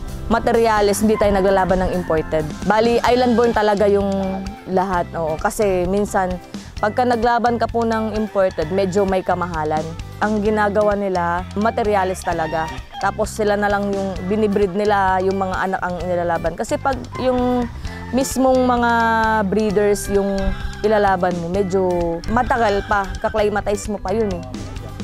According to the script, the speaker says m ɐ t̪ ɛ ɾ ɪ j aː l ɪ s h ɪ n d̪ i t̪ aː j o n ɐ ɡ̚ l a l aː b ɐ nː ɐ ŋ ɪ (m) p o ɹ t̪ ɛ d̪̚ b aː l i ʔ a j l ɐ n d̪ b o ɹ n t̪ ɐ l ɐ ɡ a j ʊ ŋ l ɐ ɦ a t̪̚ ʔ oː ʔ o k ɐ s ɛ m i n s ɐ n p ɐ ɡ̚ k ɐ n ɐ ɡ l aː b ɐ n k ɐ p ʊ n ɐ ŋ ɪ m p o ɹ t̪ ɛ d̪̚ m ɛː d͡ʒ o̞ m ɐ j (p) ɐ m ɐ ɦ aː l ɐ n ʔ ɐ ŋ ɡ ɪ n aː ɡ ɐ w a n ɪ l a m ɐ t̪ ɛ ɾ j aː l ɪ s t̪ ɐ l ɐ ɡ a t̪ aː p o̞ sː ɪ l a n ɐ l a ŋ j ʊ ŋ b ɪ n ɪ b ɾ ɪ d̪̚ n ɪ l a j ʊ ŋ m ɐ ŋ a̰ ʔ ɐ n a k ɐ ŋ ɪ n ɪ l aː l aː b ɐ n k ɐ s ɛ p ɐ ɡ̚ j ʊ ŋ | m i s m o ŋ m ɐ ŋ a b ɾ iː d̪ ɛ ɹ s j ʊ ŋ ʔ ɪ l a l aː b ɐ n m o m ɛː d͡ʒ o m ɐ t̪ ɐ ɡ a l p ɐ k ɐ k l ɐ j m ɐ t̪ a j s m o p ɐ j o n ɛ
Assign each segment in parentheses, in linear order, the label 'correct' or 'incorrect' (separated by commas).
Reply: correct, incorrect